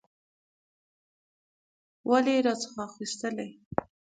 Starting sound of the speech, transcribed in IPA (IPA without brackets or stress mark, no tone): w